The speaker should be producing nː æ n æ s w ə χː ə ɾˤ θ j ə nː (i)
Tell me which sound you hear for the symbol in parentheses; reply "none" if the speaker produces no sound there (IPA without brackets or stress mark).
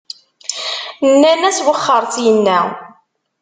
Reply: æ